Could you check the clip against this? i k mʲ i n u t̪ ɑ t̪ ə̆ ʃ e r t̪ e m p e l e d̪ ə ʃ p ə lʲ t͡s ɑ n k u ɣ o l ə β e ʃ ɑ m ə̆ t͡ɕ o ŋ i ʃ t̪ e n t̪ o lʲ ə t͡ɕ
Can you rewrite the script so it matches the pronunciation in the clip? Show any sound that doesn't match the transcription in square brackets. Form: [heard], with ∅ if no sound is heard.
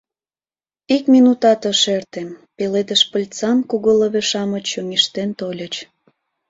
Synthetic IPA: i k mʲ i n u t̪ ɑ t̪ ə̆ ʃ e r t̪ e m p e l e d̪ ə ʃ p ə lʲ t͡s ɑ n k u ɣ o l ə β e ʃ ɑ m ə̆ t͡ɕ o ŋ i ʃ t̪ e n t̪ o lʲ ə t͡ɕ